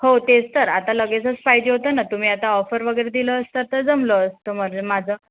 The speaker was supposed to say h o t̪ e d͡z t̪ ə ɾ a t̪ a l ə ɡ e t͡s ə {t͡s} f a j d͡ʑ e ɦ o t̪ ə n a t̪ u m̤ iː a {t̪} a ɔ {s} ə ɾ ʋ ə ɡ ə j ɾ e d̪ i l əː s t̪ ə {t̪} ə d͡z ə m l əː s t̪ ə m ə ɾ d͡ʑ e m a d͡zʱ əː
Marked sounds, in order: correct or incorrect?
correct, correct, incorrect: f, correct

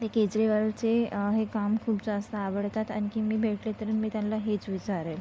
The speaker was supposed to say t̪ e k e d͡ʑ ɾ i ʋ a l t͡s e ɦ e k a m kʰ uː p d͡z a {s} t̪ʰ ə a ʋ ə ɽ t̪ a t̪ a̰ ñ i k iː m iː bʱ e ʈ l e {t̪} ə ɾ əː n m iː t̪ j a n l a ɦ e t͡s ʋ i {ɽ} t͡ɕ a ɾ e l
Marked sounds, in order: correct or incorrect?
correct, correct, incorrect: none

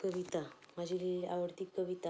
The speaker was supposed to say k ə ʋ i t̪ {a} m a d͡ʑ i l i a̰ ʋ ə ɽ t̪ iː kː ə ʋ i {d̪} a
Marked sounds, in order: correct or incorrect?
correct, incorrect: t̪

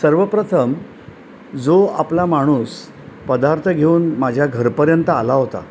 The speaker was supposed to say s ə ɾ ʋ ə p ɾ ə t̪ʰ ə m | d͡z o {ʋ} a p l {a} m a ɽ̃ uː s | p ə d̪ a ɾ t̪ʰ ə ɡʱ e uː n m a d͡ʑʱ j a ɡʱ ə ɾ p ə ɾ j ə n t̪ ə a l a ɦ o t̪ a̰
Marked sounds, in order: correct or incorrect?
incorrect: none, correct

